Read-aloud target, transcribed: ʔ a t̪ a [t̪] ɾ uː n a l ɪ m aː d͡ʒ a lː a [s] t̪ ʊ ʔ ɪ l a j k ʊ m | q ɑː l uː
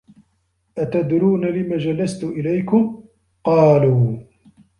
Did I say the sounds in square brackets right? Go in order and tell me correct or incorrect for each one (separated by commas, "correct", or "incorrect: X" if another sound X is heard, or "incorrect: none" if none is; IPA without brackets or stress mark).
incorrect: d̪, correct